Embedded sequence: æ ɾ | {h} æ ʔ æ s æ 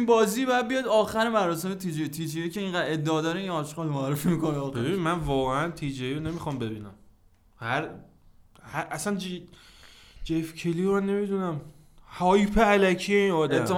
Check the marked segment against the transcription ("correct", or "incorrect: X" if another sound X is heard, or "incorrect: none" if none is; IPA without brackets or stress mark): correct